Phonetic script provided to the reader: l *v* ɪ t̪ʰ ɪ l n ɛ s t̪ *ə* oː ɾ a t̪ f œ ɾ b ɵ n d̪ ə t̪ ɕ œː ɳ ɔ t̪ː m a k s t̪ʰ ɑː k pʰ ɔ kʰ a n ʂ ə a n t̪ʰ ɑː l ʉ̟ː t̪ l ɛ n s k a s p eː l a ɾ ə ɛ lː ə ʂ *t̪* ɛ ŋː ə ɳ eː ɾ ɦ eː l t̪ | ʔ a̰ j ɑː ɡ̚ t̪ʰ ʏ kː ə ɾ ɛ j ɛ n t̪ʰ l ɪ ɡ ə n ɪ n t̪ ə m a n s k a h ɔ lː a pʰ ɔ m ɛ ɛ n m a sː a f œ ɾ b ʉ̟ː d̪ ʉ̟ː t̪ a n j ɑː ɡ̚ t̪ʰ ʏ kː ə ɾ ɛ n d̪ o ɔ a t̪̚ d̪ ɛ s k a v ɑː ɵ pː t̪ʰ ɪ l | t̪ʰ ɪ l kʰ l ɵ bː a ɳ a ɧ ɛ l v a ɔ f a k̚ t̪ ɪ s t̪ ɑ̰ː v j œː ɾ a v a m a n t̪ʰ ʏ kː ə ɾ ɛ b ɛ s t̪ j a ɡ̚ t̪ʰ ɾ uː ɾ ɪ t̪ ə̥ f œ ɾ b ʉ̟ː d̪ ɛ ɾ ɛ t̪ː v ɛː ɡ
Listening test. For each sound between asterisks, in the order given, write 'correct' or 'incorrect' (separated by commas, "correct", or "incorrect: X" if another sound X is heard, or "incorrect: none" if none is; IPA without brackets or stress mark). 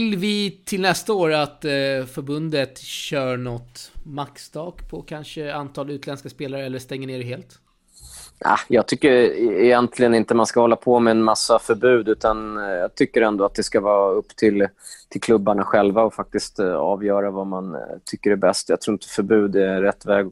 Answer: correct, incorrect: a, correct